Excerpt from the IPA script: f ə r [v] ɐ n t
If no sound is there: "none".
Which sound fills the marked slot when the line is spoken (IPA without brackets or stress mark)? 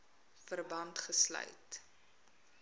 b